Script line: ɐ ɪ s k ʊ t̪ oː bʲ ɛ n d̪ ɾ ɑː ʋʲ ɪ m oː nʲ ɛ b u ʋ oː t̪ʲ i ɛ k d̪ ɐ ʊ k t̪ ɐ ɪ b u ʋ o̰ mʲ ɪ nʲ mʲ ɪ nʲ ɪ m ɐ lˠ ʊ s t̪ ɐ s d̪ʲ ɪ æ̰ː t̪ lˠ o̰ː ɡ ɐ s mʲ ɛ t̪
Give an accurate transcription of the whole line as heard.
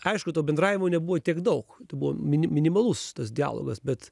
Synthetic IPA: ɐ ɪ ʃ k ʊ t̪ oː bʲ ɛ n d̪ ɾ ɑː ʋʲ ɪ m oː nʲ ɛ b u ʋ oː t̪ʲ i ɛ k d̪ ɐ ʊ k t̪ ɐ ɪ b u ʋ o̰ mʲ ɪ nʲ mʲ ɪ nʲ ɪ m ɐ lˠ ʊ s t̪ ɐ s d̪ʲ ɪ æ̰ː lˠ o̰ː ɡ ɐ s bʲ ɛ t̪

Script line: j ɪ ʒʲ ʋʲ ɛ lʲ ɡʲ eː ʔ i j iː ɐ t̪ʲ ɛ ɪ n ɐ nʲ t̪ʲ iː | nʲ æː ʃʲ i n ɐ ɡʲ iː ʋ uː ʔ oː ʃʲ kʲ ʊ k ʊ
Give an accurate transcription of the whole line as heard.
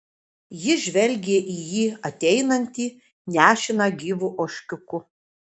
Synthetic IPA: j ɪ ʒʲ ʋʲ ɛ lʲ ɡʲ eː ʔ i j iː ɐ t̪ʲ ɛ ɪ n ɐ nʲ t̪ʲ iː | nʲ æː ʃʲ ɪ n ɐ ɡʲ iː ʋ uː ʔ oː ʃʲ kʲ ʊ k ʊ

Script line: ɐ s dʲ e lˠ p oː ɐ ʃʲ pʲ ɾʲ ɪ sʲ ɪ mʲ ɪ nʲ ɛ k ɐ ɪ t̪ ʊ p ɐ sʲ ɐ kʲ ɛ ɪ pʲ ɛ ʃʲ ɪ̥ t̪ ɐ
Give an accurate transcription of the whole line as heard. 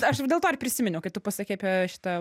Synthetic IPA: ɐ ʃ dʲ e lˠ t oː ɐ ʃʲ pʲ ɾʲ ɪ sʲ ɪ mʲ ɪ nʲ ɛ k ɐ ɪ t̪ ʊ p ɐ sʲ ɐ kʲ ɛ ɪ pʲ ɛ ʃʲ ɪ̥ t̪ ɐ

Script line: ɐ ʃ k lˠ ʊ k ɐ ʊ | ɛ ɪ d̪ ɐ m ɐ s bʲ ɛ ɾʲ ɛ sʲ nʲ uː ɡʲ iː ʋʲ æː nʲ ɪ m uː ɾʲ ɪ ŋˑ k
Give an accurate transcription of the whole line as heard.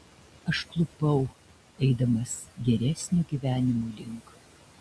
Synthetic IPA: ɐ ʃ k lˠ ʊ p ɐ ʊ | ɛ ɪ d̪ ɐ m ɐ s ɡʲ ɛ ɾʲ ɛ sʲ nʲ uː ɡʲ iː ʋʲ æː nʲ ɪ m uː lʲ ɪ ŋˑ k

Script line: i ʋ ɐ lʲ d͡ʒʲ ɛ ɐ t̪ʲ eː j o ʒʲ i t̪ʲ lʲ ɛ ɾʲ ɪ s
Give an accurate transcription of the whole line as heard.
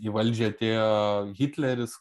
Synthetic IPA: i ʋ ɐ lʲ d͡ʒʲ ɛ ɐ t̪ʲ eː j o ɣʲ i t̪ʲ lʲ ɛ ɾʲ ɪ s

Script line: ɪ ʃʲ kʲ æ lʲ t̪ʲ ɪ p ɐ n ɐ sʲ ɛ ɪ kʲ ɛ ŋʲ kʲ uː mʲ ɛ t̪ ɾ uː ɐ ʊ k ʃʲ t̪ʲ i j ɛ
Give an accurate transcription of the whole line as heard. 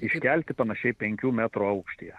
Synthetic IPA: ɪ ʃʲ kʲ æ lʲ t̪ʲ ɪ p ɐ n ɐ ʃʲ ɛ ɪ pʲ ɛ ŋʲ kʲ uː mʲ æ t̪ ɾ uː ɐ ʊ k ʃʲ t̪ʲ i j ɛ

